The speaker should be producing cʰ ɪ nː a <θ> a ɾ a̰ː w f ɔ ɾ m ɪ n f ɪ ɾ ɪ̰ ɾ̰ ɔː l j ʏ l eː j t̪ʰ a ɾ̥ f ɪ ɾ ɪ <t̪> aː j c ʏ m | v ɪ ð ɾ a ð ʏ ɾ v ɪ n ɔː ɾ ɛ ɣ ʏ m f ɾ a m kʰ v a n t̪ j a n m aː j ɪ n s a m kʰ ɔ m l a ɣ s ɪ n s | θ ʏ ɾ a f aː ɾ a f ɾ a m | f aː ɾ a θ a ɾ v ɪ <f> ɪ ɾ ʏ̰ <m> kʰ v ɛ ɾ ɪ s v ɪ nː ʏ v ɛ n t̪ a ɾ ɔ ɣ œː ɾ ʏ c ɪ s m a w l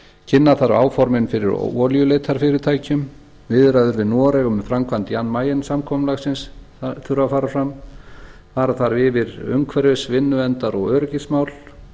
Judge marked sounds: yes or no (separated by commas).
yes, no, no, no